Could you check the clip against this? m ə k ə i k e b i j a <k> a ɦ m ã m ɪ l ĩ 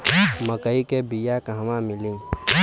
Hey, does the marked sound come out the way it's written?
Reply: yes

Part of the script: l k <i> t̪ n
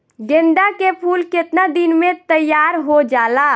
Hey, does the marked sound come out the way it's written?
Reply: no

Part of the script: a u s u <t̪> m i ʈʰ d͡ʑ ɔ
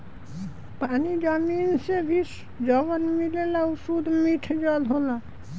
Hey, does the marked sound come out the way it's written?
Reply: no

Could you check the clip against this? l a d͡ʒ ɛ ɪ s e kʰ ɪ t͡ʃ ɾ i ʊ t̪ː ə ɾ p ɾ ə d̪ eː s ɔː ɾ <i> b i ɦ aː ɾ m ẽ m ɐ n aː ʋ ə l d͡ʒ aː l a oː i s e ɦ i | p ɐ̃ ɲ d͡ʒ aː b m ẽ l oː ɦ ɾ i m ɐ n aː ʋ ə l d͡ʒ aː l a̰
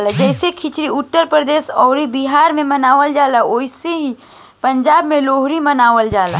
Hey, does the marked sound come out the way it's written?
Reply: yes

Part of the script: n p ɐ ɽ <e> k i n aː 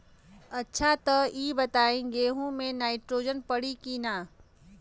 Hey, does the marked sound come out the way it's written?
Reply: no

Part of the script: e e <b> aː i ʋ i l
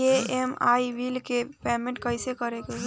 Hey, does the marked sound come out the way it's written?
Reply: no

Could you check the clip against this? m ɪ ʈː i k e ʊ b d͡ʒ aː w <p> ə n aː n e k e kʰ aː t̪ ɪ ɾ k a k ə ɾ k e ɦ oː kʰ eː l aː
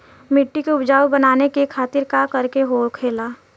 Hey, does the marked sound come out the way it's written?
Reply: no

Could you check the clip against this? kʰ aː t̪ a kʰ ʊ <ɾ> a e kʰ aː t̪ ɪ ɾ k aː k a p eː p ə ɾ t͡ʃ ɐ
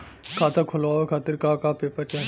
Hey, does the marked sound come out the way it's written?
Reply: no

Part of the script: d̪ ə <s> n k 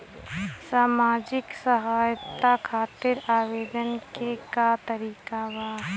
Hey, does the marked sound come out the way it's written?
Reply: no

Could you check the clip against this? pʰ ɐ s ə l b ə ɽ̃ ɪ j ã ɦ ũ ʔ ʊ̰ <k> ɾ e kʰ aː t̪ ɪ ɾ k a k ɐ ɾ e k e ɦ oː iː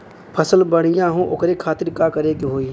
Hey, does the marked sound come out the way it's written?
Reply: yes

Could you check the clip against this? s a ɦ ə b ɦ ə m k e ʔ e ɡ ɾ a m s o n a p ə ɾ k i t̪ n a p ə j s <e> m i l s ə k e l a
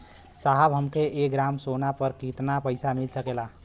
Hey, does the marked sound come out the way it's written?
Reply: no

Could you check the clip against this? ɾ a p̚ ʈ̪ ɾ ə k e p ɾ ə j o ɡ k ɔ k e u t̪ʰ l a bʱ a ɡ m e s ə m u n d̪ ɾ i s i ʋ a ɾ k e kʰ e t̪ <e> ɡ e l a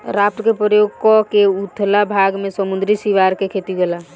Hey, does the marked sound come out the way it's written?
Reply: no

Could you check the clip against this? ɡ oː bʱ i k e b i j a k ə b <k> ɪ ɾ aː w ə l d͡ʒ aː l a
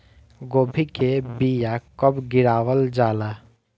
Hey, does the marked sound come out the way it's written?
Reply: no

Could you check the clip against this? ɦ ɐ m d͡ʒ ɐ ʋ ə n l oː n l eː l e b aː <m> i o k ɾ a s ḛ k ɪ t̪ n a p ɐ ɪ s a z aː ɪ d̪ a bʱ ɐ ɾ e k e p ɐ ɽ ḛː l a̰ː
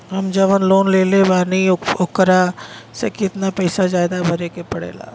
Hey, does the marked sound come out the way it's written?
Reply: no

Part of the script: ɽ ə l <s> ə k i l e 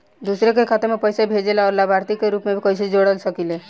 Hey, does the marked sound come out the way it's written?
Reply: yes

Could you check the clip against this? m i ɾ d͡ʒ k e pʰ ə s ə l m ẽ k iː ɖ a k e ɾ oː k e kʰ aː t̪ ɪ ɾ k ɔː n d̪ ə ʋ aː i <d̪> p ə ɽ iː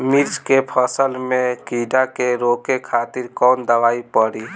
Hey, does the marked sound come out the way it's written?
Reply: no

